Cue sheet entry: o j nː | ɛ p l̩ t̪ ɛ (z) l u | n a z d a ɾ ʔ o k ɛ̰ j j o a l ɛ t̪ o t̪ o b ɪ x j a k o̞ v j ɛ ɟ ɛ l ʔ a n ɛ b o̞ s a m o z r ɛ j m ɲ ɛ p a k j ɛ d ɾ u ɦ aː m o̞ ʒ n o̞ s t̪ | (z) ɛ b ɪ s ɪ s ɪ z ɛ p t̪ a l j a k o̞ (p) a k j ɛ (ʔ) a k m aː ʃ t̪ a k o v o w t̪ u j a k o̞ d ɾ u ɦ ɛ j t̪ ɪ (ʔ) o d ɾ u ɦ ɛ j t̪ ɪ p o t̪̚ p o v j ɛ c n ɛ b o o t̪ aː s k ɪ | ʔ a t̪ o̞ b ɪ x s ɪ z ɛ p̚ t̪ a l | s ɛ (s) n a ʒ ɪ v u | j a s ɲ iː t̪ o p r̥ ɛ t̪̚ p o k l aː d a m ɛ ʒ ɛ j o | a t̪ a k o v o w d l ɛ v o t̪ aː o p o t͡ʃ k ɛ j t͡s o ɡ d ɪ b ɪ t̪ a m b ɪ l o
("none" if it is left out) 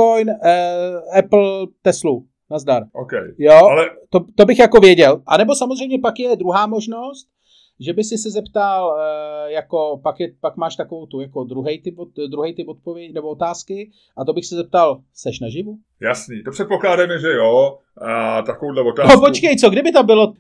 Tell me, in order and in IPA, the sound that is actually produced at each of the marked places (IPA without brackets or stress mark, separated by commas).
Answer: s, ʒ, p, p, p, ʃ